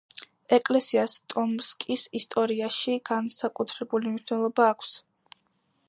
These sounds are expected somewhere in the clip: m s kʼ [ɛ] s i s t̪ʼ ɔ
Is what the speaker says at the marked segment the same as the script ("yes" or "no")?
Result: no